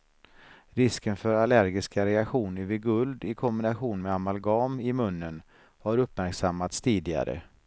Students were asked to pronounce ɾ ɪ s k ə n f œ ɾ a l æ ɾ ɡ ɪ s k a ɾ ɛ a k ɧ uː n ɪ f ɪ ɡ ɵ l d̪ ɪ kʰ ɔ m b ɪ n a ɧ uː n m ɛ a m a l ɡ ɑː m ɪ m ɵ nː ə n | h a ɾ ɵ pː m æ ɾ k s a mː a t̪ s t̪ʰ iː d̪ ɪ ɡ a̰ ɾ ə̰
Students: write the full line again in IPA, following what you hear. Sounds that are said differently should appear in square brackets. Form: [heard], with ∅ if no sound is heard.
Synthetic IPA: ɾ ɪ s k ə n f œ ɾ a l æ ɾ ɡ ɪ s k a ɾ ɛ a k ɧ uː n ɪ [v] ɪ ɡ ɵ l d̪ ɪ kʰ ɔ m b ɪ n a ɧ uː n m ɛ a m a l ɡ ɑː m ɪ m ɵ nː ə n | h a ɾ ɵ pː m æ ɾ k s a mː a t̪ s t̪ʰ iː d̪ ɪ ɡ a̰ ɾ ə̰